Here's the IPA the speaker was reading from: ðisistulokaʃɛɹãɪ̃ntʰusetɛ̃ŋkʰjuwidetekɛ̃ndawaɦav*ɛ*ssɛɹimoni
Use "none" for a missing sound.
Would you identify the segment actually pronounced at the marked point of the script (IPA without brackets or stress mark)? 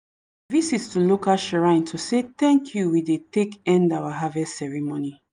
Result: ɛ